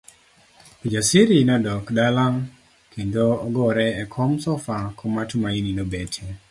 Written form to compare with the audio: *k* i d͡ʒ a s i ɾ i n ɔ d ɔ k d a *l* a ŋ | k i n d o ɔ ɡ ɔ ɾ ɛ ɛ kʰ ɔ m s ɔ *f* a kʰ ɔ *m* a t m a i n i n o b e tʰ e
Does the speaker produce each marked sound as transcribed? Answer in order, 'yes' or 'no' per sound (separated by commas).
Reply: no, yes, yes, yes